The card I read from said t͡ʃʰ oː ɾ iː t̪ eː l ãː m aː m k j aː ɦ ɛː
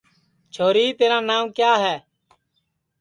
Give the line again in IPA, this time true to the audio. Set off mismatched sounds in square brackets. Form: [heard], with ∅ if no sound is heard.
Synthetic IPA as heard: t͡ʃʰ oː ɾ iː t̪ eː [ɾ] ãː [n] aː m k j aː ɦ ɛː